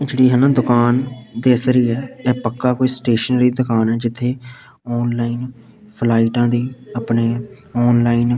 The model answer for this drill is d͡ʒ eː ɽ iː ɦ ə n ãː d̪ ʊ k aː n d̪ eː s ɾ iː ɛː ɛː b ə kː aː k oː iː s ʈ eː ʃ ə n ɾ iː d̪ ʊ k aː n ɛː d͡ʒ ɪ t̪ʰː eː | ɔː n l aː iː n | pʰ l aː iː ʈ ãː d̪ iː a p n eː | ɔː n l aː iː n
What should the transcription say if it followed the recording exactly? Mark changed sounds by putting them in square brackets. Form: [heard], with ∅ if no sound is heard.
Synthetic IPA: d͡ʒ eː ɽ iː ɦ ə n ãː d̪ ʊ k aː n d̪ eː s ɾ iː ɛː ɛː [p] ə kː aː k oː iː s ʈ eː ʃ ə n ɾ iː d̪ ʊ k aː n ɛː d͡ʒ ɪ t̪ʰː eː | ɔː n l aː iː n | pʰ l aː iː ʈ ãː d̪ iː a p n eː | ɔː n l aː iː n